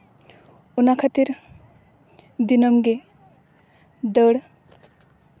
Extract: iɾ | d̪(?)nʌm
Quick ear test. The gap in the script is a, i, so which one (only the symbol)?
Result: i